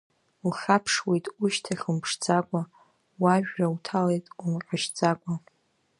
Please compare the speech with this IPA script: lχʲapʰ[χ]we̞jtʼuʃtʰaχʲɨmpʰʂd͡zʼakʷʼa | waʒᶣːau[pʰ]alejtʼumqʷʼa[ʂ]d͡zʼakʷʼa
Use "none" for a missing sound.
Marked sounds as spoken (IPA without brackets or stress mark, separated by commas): ʂ, tʰ, ʃ